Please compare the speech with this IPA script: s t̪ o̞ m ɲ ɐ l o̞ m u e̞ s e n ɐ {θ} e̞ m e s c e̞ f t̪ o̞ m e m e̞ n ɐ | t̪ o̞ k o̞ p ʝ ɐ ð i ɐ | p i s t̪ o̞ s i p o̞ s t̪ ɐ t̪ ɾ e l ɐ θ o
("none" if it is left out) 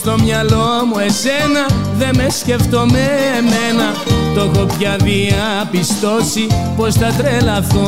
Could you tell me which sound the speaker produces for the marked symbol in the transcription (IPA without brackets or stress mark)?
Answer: ð